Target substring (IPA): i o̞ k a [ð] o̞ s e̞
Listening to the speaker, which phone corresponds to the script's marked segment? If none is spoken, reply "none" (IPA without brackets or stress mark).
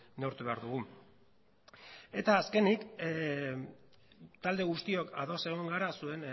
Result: ð